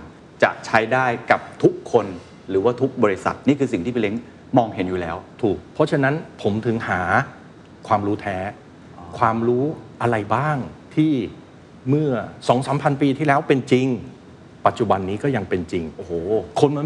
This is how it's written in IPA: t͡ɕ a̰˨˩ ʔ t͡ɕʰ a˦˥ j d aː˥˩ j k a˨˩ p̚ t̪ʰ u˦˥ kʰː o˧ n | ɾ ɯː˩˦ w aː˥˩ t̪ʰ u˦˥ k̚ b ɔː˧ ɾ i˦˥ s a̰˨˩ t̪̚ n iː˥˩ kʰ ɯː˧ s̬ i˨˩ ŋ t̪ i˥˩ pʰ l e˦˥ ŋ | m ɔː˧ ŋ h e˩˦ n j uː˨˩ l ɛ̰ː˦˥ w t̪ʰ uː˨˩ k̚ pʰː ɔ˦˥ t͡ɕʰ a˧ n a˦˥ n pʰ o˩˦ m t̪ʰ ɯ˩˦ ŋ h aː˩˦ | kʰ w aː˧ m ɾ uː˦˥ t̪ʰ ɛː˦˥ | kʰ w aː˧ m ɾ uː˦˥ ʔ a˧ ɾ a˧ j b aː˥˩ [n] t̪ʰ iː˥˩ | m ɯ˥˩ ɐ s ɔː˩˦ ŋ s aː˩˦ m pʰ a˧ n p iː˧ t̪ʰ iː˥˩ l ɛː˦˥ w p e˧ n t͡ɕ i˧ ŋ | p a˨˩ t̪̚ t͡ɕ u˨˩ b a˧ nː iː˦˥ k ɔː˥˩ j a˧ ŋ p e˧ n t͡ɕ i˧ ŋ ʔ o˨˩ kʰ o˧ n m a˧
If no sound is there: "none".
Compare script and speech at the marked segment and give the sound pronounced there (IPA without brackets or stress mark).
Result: ŋ